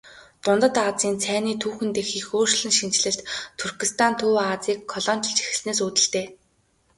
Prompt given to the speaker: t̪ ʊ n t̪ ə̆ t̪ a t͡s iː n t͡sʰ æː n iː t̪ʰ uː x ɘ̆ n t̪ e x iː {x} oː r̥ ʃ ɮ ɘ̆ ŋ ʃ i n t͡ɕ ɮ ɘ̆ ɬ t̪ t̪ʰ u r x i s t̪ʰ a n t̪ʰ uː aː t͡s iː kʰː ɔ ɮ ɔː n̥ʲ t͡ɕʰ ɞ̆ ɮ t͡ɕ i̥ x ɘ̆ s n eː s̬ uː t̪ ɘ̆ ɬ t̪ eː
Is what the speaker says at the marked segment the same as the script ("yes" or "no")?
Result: yes